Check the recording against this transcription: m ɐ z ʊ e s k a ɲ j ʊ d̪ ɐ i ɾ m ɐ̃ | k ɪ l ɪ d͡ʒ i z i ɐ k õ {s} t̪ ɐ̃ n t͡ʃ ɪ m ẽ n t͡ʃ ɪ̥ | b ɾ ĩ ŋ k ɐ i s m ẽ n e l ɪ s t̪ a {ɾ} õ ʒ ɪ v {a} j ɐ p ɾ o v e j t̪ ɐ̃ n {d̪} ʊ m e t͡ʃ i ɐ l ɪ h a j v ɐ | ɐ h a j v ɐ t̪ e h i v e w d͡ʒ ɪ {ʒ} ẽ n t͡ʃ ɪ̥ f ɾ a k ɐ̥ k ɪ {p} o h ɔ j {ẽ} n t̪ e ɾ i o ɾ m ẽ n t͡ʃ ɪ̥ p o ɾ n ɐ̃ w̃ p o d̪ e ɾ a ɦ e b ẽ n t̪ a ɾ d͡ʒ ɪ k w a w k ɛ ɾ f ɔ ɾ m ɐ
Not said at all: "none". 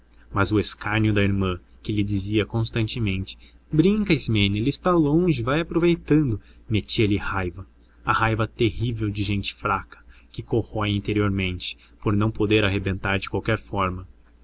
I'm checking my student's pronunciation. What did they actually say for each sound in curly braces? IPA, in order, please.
s, l, a, d̪, ʒ, k, ĩ

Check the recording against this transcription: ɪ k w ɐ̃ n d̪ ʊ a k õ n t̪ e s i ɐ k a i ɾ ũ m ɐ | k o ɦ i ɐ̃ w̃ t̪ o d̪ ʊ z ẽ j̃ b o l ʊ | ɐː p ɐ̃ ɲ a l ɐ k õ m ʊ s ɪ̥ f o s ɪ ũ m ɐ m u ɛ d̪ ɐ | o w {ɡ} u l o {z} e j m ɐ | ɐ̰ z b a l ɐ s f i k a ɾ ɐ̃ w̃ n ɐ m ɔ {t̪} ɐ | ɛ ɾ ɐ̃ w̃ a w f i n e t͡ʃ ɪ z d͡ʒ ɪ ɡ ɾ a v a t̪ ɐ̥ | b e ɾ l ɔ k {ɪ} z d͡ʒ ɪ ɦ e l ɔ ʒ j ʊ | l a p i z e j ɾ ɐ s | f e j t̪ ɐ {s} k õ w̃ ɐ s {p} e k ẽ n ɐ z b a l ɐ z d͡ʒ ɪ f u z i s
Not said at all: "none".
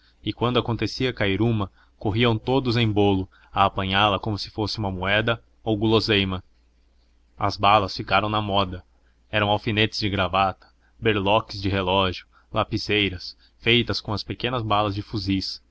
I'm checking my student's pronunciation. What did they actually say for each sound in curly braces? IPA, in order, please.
ɡ, z, d̪, ɪ, s, p

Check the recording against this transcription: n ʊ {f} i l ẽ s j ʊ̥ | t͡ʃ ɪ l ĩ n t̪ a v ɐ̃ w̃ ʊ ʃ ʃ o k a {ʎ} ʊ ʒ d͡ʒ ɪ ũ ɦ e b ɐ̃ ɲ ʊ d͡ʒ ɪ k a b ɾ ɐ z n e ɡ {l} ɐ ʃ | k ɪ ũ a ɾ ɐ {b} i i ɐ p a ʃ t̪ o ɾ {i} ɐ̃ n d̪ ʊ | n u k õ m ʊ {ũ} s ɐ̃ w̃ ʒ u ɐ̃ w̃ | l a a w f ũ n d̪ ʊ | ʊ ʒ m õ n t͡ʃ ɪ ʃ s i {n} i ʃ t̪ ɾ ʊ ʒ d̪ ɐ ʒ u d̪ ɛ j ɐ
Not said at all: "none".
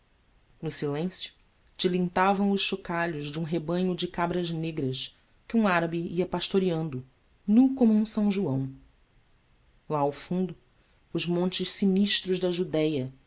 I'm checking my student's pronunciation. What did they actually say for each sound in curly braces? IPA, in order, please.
s, ʎ, ɾ, b, i, ũ, n

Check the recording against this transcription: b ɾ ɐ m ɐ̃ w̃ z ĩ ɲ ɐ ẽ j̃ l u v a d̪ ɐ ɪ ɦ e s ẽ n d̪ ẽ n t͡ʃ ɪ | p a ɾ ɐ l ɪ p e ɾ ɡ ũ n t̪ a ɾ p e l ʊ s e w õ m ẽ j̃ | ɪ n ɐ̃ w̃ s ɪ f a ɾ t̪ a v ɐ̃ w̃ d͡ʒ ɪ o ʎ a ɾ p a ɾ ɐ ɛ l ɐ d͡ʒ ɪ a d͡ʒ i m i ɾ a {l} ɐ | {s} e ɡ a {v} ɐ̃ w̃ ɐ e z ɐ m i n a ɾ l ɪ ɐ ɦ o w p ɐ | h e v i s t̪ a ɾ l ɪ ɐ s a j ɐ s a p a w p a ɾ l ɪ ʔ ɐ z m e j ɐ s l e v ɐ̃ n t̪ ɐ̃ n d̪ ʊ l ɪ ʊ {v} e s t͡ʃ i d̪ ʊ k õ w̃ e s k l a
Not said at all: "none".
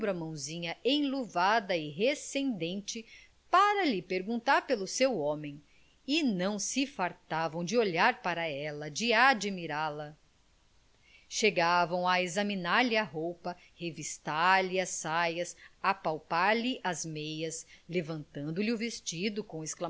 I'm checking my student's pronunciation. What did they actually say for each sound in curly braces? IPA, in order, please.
l, ʃ, v, v

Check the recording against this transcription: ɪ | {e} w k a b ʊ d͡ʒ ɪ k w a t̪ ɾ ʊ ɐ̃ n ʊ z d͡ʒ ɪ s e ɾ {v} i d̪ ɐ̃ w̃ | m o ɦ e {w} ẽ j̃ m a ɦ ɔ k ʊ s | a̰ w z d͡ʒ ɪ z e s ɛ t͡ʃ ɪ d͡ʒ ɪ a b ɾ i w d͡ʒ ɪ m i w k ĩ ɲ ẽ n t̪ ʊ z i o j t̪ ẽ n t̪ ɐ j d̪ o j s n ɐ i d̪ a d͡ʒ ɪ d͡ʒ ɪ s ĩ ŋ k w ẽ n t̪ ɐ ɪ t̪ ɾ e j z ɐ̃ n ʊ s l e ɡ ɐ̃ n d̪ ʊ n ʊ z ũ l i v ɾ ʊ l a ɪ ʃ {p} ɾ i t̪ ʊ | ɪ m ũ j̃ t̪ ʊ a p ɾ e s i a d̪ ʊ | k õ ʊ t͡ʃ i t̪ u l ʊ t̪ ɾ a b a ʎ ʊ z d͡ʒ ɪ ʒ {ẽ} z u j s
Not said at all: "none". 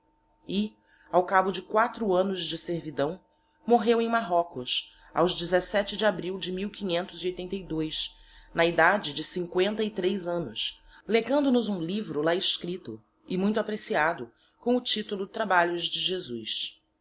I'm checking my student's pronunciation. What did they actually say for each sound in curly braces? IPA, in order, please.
a, v, w, k, e

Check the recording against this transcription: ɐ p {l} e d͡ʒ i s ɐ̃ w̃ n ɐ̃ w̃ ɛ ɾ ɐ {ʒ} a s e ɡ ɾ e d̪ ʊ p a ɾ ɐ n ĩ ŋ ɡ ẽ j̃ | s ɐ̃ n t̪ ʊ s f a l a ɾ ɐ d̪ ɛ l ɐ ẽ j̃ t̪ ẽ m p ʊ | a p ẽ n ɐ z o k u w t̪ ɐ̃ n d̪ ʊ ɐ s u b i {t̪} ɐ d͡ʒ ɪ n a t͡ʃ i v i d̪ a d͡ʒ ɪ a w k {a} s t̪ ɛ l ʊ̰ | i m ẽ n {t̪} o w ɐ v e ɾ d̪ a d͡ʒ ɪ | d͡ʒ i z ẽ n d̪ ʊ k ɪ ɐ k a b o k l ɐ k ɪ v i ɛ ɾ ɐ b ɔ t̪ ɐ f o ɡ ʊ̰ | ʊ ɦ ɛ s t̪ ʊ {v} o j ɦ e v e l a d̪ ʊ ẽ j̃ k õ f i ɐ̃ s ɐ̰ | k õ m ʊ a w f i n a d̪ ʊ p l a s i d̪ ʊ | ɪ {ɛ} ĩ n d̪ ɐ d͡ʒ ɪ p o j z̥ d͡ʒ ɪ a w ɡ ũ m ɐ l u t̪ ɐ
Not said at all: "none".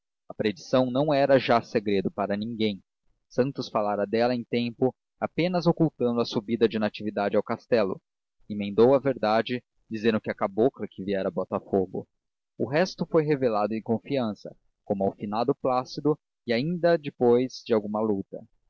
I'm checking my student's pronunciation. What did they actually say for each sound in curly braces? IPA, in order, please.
ɾ, ʒ, d̪, a, d̪, f, a

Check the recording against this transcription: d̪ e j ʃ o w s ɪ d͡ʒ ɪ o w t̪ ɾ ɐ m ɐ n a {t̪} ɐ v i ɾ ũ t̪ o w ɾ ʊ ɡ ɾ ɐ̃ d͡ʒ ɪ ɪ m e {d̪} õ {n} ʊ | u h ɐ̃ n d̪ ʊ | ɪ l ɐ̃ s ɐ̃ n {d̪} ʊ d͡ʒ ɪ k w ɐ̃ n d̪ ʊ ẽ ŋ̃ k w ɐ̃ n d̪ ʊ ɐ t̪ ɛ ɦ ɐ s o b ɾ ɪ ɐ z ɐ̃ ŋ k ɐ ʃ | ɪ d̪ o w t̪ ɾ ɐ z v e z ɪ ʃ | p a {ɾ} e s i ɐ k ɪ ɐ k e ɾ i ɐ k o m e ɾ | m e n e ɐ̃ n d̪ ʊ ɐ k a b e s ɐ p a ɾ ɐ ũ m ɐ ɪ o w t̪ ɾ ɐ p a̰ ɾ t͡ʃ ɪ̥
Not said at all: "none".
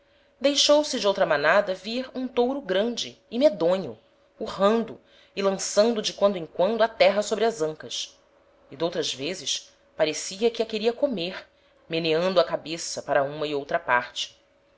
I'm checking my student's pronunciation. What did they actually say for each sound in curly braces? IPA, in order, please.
d̪, d̪, ɲ, d̪, ɾ

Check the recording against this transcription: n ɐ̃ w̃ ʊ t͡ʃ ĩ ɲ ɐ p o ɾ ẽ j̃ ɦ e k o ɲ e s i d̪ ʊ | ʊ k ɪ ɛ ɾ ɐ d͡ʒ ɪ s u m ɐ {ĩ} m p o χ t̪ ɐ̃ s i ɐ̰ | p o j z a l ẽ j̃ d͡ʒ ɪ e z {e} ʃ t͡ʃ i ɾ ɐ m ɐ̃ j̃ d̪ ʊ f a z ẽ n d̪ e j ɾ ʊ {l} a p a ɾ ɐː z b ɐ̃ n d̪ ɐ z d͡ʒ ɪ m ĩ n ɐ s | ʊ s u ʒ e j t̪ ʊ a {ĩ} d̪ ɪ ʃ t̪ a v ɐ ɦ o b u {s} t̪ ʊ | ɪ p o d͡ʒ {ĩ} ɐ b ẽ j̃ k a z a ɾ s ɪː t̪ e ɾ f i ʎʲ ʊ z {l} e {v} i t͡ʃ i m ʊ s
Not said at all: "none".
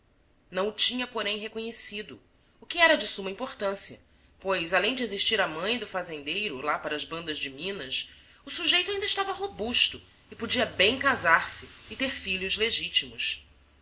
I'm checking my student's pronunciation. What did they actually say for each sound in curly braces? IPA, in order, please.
ĩ, i, l, ĩ, ʃ, i, l, ʒ

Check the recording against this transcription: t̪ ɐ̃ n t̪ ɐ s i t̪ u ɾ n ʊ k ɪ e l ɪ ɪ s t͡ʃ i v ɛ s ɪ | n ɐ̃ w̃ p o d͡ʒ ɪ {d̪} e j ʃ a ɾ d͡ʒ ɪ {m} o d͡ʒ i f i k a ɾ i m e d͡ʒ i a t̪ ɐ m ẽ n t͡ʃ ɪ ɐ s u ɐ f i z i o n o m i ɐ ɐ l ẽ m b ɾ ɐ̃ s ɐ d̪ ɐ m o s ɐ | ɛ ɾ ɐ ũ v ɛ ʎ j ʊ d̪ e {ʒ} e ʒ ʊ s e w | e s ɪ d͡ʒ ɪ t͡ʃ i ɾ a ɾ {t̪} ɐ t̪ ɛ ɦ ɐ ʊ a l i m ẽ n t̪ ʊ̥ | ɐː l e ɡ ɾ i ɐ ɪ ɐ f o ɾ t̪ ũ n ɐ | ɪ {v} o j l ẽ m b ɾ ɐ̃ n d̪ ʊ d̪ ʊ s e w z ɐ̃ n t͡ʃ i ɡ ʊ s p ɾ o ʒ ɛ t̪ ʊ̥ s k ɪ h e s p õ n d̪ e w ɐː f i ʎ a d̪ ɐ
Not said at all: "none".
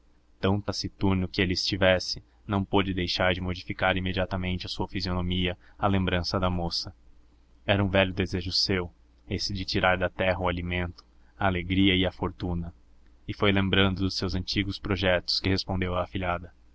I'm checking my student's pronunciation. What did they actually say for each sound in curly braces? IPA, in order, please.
d̪, m, z, d̪, f

